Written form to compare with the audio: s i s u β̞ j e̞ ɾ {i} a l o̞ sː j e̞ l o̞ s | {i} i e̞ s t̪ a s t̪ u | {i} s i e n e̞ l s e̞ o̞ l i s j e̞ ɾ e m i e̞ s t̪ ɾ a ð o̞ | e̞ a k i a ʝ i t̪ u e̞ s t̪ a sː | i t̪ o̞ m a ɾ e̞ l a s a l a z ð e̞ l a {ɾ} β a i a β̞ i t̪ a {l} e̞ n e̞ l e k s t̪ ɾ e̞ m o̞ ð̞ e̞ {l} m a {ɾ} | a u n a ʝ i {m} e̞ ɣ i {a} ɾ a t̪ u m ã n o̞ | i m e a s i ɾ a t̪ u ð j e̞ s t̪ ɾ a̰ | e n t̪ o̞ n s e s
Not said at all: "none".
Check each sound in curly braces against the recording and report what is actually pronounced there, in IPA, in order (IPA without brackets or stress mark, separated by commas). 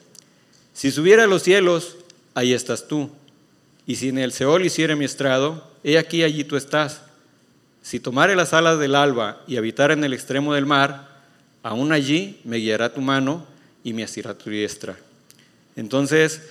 e, a, i, l, ɾ, l, ɾ, m, a